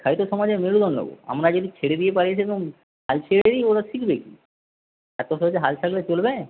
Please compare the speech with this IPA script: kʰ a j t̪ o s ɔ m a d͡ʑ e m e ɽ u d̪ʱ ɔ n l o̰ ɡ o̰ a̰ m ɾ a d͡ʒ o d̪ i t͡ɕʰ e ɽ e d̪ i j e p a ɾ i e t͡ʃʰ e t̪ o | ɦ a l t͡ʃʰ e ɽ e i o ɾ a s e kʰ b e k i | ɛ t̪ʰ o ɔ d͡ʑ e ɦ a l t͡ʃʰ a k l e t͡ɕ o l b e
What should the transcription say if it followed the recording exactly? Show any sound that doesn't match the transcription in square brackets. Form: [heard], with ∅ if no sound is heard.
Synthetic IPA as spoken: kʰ a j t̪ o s ɔ m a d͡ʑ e m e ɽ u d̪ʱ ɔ n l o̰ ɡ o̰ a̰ m ɾ a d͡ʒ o d̪ i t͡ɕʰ e ɽ e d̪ i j e p a ɾ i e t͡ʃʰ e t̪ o | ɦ a l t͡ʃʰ e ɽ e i o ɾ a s [i] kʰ b e k i | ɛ [t̪] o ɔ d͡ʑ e ɦ a l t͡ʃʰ a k l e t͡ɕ o l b e